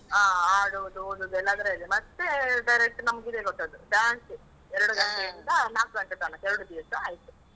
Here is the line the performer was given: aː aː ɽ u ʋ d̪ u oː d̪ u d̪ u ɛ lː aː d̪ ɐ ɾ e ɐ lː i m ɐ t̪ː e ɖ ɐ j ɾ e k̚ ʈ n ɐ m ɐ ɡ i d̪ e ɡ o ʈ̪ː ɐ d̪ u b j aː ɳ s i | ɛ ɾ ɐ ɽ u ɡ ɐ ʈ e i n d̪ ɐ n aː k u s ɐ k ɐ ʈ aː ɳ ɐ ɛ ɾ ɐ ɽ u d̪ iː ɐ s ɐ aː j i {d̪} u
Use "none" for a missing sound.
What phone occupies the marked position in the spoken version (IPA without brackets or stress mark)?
t̪